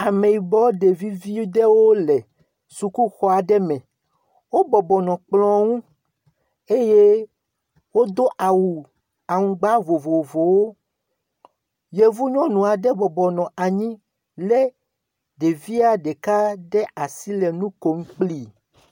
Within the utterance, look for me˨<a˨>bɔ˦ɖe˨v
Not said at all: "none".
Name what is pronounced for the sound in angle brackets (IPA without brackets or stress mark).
i˨